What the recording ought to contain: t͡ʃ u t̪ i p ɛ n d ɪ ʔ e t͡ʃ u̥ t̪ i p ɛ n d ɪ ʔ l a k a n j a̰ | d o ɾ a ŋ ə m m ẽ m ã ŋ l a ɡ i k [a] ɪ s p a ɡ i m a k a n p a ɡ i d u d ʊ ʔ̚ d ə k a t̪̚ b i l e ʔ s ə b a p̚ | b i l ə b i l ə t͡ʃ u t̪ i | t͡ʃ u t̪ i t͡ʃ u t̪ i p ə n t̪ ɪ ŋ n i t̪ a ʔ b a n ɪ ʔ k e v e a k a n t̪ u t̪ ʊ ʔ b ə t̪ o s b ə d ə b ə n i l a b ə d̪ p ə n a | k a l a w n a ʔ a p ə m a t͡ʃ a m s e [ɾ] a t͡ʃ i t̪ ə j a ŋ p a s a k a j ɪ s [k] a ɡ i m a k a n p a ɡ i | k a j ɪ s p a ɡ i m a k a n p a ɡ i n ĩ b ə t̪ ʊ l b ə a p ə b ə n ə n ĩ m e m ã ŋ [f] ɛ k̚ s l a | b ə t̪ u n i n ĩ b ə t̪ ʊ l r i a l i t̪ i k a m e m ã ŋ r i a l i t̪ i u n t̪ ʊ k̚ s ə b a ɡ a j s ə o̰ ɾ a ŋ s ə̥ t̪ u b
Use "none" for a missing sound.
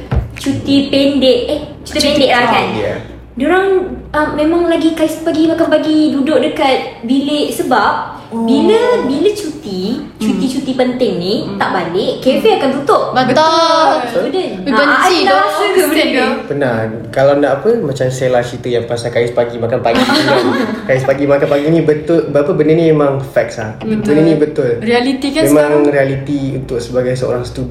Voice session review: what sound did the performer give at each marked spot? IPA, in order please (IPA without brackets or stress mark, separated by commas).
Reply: a, l, p, f